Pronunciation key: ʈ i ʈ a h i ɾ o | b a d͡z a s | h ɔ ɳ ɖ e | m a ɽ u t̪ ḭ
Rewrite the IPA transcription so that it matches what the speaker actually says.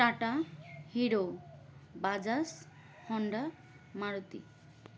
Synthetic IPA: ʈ a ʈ a h i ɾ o | b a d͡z a s | h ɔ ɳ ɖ a | m a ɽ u t̪ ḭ